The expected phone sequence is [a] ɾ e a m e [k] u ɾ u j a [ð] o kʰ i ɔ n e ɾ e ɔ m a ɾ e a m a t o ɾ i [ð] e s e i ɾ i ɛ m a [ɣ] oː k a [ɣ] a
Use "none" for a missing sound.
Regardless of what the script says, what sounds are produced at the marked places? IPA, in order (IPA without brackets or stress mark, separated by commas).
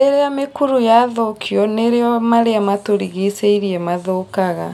e, k, ð, ɣ, ð, ɣ